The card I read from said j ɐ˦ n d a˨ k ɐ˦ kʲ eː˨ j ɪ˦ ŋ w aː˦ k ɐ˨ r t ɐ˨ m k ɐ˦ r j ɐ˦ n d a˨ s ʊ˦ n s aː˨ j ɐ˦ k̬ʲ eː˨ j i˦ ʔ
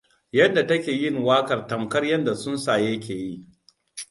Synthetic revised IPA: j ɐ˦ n d a˨ t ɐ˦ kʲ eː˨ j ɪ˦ ŋ w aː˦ k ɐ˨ r t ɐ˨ m k ɐ˦ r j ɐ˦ n d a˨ s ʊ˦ n s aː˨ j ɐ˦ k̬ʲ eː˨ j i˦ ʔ